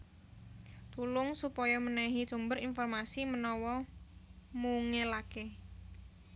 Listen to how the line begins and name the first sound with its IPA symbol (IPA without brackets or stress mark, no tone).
t̪